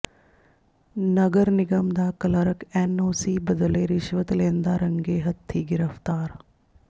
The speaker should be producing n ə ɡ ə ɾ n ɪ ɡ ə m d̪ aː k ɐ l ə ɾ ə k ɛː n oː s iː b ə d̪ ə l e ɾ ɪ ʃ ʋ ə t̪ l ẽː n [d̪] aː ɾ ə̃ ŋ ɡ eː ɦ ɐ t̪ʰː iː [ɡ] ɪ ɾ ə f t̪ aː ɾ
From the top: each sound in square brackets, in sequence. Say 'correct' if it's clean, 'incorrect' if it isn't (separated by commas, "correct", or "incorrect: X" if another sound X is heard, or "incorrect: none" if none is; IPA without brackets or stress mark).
correct, correct